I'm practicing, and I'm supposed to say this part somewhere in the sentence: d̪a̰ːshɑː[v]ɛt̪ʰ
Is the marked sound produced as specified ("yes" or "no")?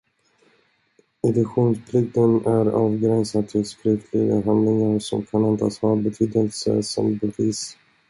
no